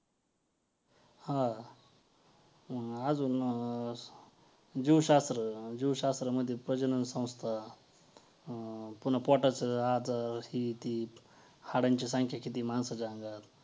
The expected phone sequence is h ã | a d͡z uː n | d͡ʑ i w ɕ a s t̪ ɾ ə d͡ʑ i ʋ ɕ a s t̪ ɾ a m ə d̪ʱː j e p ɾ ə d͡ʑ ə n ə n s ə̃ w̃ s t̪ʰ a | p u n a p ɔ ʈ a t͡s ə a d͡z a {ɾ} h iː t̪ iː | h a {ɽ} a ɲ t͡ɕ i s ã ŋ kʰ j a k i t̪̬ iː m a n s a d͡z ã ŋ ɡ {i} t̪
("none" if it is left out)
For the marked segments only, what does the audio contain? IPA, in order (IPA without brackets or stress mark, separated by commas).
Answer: ɾ, ɽ, a